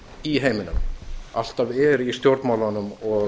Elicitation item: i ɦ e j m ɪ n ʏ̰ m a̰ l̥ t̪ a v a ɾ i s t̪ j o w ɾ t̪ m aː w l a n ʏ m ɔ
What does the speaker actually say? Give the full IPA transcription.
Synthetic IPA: i ɦ e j m ɪ n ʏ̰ m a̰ l̥ t̪ a v ɛ ɾ i s t̪ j o w ɾ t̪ m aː w l a n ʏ m ɔ

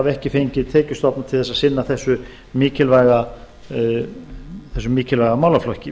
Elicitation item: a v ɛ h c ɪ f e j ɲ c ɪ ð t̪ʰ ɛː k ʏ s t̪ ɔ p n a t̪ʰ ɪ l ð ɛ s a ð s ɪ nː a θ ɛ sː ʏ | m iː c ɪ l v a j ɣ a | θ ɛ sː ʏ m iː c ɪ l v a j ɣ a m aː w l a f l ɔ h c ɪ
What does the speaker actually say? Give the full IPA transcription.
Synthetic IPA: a v ɛ h c ɪ f e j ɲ c ɪ ð t̪ʰ ɛː c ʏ s t̪ ɔ p n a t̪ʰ ɪ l θ ɛ s a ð s ɪ nː a θ ɛ sː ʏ | m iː c ɪ l v a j ɣ a | θ ɛ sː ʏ m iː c ɪ l v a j ɣ a m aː w l a f l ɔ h c ɪ

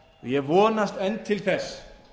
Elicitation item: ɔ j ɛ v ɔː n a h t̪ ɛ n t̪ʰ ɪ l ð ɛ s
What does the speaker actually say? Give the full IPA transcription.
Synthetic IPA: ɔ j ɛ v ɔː n a s t̪ ɛ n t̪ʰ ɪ l θ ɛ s

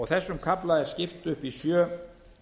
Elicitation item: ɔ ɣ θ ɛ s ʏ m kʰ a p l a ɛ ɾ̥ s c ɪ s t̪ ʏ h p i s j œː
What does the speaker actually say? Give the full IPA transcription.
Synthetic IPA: ɔ ɣ θ ɛ sː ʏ m kʰ a p l a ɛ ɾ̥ s c ɪ f t̪ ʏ h p i s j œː

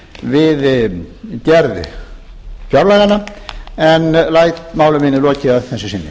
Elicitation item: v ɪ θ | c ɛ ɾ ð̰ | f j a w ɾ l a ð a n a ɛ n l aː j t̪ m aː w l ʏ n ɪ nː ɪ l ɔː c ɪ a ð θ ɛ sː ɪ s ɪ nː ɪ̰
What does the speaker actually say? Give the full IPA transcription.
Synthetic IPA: v ɪ ð | c ɛ ɾ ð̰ | f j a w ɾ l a ɣ a n a ɛ n l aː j t̪ m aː w l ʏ m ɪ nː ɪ l ɔː c ɪ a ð θ ɛ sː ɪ s ɪ nː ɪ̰

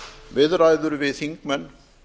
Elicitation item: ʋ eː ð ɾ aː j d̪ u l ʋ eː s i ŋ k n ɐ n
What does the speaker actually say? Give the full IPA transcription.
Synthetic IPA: ʋ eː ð ɾ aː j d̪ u ɾ ʋ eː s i ŋ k m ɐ n

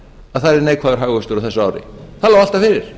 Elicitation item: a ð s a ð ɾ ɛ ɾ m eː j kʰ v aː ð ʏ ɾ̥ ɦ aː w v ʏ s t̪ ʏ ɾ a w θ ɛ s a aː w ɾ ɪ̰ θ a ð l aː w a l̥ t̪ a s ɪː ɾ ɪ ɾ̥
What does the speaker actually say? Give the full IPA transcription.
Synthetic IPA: a ð θ a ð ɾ ɛ ɾ n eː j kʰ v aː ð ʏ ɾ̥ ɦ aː ɣ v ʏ s t̪ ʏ ɾ a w θ ɛ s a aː w ɾ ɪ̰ θ a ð l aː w a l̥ t̪ a f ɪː ɾ ɪ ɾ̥

